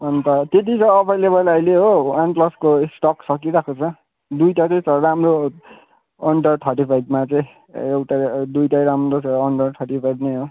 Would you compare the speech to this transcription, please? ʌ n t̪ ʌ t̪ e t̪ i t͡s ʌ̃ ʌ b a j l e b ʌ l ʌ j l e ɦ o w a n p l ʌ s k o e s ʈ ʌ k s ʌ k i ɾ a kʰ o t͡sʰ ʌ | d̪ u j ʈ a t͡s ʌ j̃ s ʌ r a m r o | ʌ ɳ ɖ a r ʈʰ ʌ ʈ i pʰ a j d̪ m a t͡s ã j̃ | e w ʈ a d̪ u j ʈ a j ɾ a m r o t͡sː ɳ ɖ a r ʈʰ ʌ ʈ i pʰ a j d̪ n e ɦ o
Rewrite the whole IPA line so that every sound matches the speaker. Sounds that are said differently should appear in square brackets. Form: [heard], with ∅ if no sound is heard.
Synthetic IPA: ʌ n t̪ ʌ t̪ e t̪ i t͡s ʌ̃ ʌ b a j l e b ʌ l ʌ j l e ɦ o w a n p l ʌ s k o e s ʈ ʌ k s ʌ k i ɾ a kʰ o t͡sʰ ʌ | d̪ u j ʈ a t͡s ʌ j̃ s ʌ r a m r o | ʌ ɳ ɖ [ʌ] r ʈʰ ʌ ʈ i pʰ a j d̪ m a t͡s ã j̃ | e w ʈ a d̪ u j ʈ a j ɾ a m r o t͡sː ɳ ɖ [ʌ] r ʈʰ ʌ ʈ i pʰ a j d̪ n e ɦ o